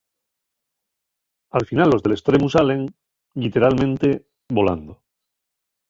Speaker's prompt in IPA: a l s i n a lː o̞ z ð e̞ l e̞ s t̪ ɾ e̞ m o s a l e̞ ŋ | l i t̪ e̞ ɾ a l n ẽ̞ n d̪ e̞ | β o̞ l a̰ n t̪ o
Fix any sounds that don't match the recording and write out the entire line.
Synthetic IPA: a l f i n a lː o̞ z ð e̞ l e̞ s t̪ ɾ e̞ m u s a l e̞ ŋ | l i t̪ e̞ ɾ a l m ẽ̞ n t̪ e̞ | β o̞ l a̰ n d̪ o